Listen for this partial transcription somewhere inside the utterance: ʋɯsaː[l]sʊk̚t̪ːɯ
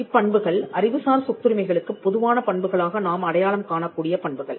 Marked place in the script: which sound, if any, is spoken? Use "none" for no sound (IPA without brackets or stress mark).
ɾ